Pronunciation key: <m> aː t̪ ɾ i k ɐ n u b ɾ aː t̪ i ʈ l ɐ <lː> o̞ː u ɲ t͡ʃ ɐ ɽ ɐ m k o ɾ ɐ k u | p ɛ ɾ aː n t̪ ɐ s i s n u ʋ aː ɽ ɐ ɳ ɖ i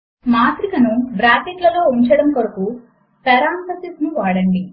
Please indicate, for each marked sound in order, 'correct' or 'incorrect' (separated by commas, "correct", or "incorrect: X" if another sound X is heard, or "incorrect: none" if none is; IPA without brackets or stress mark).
correct, incorrect: l